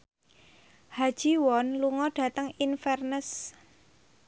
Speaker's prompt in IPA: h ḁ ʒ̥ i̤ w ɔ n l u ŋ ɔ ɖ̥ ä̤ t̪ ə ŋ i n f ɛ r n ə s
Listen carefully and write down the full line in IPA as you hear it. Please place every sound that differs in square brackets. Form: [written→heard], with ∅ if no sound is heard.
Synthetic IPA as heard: h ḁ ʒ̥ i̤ w ɔ n l u ŋ ɔ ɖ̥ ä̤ t̪ ə ŋ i n f ɛ r n ə s